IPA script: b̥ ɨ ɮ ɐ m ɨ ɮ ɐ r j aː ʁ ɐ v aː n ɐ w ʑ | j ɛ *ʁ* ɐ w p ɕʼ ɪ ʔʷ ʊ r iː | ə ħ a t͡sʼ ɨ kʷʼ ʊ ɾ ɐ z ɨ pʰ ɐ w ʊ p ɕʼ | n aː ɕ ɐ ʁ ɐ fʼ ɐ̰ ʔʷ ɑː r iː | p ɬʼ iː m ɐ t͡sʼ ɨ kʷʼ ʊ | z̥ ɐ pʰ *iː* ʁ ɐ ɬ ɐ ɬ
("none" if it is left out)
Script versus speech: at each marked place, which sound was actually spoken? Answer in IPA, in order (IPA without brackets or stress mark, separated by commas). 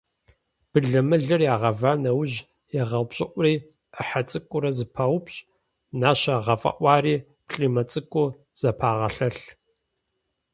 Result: ʁ, aː